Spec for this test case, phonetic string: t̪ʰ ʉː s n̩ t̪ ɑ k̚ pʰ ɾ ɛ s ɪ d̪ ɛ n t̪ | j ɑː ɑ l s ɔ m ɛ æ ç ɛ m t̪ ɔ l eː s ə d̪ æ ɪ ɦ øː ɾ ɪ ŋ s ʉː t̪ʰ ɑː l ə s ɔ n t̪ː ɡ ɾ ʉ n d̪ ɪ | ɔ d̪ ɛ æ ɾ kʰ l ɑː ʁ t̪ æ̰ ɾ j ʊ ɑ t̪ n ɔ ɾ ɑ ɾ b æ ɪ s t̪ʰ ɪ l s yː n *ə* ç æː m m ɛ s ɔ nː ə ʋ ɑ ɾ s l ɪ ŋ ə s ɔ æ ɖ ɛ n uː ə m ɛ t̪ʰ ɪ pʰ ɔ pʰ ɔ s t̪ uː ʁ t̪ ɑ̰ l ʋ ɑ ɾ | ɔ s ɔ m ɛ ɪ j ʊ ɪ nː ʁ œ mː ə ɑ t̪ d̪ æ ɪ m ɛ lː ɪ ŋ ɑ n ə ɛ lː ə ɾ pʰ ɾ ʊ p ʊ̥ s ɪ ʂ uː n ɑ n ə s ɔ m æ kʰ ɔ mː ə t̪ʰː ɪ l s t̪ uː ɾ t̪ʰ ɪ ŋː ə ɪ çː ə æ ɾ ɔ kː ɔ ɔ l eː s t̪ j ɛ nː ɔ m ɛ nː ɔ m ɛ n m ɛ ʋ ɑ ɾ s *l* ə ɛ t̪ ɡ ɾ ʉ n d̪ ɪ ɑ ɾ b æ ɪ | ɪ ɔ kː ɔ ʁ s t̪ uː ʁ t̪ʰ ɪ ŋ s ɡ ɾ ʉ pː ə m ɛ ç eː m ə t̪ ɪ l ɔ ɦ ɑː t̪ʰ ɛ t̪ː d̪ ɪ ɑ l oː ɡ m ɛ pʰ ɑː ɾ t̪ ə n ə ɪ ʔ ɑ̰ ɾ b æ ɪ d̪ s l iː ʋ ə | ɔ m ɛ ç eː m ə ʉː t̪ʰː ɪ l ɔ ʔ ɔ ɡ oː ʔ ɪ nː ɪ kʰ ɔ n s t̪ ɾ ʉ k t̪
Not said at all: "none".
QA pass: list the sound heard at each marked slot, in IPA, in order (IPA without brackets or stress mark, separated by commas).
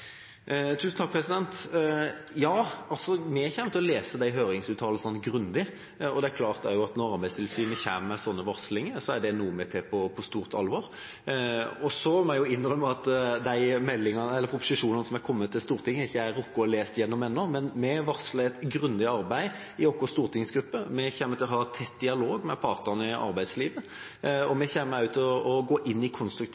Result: ə, l